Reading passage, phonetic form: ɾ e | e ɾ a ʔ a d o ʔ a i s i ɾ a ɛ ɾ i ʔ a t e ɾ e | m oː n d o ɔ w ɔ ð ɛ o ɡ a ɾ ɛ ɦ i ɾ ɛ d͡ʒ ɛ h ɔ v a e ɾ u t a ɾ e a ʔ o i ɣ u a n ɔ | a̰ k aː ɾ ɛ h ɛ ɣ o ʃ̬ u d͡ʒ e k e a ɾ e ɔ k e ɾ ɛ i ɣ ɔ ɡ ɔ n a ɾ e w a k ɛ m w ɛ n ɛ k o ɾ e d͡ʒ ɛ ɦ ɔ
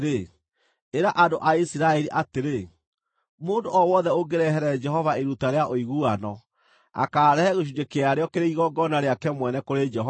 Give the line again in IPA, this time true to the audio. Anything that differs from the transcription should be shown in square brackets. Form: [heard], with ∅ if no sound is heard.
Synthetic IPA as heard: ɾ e | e ɾ a ʔ a d o ʔ a i s i ɾ a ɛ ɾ i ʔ a t e ɾ e | m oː n d o ɔ w ɔ ð ɛ o ɡ [e] ɾ ɛ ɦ [ɛ] ɾ ɛ d͡ʒ ɛ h ɔ v a e ɾ u t a ɾ e a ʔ o i ɣ u a n ɔ | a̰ k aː ɾ ɛ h ɛ ɣ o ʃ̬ u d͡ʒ e k e a ɾ e ɔ k e ɾ [e] i ɣ ɔ ɡ ɔ n a ɾ e [∅] a k ɛ m w ɛ n ɛ k o ɾ e d͡ʒ ɛ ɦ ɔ